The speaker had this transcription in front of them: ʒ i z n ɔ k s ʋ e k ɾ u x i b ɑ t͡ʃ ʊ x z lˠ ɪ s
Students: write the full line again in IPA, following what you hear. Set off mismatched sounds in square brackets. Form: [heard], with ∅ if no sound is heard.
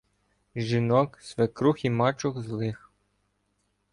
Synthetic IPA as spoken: ʒ i [∅] n ɔ k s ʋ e k ɾ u x i [m] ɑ t͡ʃ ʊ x z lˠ ɪ [x]